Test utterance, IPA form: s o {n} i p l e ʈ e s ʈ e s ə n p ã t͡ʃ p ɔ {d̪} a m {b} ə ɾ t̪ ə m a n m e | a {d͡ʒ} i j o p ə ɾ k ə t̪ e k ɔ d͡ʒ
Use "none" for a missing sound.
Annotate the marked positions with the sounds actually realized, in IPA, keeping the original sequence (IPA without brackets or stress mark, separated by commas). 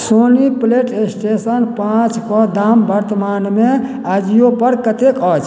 n, d̪, b, d͡ʒ